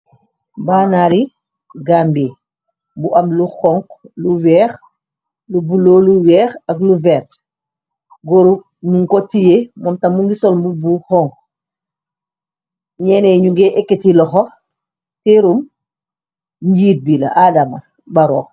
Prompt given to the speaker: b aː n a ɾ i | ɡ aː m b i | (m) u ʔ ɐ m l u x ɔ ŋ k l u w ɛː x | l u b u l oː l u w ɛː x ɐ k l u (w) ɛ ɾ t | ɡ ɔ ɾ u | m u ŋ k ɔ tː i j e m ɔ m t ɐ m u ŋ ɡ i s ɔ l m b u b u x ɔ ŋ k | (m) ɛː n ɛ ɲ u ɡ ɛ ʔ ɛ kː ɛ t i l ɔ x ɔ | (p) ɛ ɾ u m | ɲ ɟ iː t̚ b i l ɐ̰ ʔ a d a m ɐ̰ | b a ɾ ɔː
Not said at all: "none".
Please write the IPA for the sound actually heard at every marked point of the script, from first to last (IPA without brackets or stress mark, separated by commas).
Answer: b, v, ɲ, t